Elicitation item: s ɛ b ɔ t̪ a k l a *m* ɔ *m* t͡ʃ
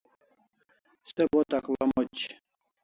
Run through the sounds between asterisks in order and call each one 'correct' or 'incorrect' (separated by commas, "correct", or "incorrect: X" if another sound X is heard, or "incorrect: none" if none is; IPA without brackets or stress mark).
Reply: correct, incorrect: none